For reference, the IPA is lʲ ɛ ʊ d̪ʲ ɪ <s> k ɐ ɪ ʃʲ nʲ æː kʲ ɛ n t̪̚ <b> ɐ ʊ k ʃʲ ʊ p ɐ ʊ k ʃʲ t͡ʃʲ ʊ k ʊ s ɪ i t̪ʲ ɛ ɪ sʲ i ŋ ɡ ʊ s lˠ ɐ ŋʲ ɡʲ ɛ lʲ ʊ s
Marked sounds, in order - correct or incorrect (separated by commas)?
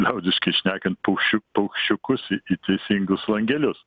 incorrect, incorrect